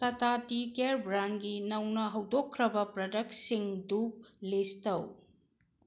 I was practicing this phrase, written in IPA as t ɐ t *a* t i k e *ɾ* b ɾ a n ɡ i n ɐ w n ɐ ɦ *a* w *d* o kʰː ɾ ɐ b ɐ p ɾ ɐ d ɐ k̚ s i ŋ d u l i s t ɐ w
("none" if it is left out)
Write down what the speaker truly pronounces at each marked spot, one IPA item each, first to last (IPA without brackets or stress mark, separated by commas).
a, ɾ, ɐ, d